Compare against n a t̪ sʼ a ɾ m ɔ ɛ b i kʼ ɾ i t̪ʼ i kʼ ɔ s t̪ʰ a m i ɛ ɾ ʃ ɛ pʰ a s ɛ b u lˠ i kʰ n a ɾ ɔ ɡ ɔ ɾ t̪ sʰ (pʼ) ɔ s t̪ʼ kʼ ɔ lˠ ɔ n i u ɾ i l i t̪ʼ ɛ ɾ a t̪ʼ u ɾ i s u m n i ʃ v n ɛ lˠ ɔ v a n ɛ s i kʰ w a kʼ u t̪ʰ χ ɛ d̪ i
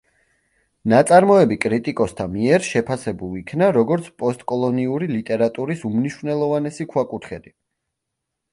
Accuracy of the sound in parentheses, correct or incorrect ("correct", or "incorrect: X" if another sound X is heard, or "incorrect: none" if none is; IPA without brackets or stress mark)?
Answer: correct